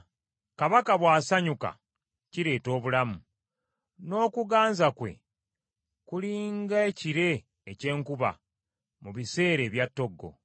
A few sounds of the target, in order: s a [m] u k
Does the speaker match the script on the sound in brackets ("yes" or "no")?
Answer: no